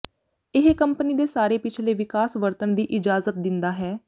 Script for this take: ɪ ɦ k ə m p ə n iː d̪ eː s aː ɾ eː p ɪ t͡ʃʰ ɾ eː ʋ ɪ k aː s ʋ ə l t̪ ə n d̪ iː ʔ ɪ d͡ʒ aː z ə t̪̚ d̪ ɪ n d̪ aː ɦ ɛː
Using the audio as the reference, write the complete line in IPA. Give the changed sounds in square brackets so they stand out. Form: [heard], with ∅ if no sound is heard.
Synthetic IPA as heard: ɪ ɦ k ə m p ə n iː d̪ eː s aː ɾ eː p ɪ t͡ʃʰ [l] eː ʋ ɪ k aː s ʋ ə [ɾ] t̪ ə n d̪ iː ʔ ɪ d͡ʒ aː z ə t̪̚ d̪ ɪ n d̪ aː ɦ ɛː